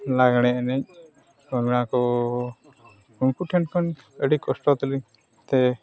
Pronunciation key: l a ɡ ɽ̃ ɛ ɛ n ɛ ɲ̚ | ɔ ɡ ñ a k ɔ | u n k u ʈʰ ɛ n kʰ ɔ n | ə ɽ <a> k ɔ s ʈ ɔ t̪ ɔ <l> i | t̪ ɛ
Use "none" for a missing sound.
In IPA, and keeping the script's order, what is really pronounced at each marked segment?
i, l

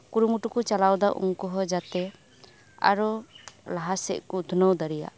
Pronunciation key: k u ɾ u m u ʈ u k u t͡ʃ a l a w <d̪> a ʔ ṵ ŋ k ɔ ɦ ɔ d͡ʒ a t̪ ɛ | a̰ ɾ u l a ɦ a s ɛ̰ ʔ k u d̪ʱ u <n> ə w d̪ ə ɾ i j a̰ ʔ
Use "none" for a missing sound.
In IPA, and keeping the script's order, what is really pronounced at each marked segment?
d̪, n

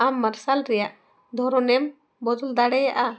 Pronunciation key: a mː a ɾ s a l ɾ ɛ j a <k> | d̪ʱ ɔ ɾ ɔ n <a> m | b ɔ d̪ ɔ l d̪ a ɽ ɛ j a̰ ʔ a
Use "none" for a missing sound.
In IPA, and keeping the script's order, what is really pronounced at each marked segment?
ʔ, ɛ

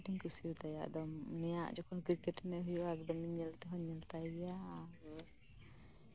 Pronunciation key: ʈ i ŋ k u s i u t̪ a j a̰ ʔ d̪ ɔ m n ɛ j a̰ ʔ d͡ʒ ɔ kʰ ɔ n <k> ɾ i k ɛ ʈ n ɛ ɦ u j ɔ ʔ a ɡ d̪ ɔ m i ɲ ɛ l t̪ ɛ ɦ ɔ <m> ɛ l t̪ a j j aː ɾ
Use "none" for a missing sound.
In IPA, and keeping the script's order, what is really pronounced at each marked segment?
k, ɲ

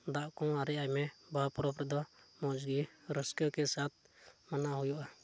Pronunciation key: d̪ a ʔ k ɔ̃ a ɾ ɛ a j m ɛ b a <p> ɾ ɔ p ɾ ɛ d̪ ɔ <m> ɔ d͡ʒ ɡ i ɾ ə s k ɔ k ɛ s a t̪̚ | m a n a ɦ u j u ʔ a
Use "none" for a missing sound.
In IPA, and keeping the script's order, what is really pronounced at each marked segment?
p, m

